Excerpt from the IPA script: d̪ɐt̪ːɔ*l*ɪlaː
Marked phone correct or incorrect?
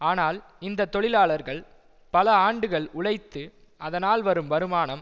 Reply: incorrect